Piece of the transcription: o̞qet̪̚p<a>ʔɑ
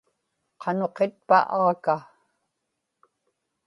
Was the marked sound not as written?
no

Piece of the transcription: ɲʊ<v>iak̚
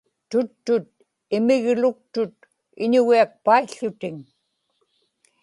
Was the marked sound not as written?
yes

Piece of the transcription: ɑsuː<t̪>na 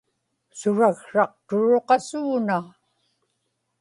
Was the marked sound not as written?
yes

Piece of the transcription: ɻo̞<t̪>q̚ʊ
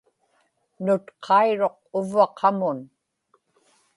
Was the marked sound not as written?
yes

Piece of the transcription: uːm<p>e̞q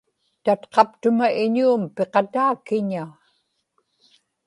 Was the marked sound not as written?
no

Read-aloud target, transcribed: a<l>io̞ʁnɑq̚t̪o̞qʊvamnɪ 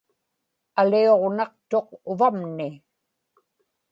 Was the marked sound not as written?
no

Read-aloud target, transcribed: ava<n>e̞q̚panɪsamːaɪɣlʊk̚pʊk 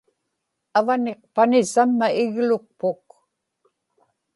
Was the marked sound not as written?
no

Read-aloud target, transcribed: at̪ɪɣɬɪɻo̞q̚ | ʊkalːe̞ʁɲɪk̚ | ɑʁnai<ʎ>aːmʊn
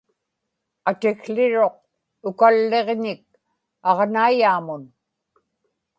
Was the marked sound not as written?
yes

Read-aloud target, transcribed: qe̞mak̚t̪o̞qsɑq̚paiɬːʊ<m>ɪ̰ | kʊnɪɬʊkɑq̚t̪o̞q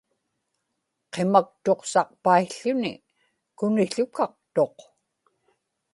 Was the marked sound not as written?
yes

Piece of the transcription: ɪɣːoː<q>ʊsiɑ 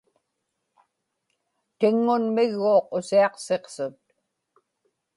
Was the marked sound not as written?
no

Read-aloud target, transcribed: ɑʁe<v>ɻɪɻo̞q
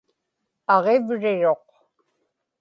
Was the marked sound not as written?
no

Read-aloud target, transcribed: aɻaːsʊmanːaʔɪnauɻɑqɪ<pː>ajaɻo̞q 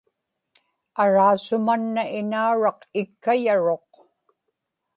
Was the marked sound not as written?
yes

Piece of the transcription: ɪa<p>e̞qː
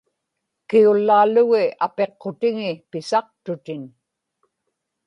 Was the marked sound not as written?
no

